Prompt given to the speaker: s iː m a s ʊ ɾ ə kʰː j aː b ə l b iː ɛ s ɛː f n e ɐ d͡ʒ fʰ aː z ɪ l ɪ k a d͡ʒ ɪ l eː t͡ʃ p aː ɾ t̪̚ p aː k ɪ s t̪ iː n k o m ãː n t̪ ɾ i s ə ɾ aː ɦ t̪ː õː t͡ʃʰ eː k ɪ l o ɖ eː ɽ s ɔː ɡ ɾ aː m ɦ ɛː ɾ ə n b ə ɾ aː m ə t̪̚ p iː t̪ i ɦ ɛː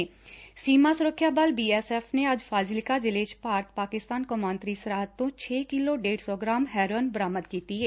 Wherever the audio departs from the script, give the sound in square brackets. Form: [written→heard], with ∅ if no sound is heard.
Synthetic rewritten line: s iː m a s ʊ ɾ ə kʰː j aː b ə l b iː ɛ s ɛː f n e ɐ d͡ʒ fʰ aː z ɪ l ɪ k a d͡ʒ ɪ l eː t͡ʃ p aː ɾ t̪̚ p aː k ɪ s t̪ [iː→aː] n k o m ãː n t̪ ɾ i s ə ɾ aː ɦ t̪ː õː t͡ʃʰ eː k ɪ l o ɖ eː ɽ s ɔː ɡ ɾ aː m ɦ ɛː ɾ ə n b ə ɾ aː m ə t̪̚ [p→k] iː t̪ i ɦ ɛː